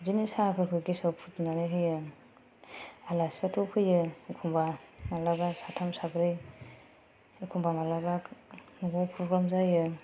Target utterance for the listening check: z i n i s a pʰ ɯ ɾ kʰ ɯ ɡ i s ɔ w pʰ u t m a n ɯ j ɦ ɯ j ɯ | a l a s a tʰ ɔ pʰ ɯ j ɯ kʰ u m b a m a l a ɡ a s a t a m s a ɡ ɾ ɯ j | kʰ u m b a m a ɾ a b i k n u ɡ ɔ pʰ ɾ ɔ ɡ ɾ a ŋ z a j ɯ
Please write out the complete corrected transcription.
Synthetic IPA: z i n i s a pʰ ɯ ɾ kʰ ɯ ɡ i s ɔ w pʰ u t n a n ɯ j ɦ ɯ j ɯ | a l a s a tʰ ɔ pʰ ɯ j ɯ kʰ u m b a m a l a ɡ a s a tʰ a m s a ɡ ɾ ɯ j | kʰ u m b a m a l a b a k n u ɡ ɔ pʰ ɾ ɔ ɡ ɾ a m z a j ɯ